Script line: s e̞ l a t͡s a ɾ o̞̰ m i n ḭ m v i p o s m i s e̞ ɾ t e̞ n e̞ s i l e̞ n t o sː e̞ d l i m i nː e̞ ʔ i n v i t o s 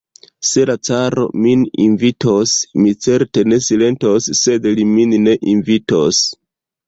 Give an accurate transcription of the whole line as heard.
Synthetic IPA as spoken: s e̞ l a t͡s a ɾ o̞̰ m i n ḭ n v i t o s m i t͡s e̞ ɾ t e̞ n e̞ s i l e̞ n t o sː e̞ d l i m i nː e̞ ʔ i n v i t o s